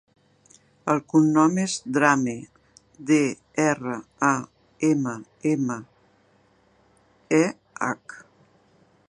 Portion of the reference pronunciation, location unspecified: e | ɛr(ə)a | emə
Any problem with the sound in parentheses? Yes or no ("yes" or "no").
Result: no